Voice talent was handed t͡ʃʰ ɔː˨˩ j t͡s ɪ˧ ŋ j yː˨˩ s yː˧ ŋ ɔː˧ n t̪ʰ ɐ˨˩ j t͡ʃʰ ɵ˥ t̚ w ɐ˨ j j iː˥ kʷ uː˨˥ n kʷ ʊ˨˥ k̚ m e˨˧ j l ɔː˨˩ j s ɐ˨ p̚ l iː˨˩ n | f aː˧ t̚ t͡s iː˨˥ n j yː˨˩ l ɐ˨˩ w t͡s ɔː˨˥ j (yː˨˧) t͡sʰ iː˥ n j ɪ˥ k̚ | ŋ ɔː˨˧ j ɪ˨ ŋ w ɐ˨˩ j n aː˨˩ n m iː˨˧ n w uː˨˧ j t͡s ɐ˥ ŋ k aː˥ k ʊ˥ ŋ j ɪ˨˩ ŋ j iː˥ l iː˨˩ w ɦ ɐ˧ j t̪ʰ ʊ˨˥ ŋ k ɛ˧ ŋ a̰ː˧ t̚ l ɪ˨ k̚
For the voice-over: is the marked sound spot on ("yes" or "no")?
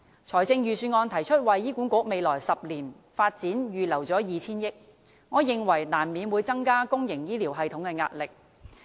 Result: no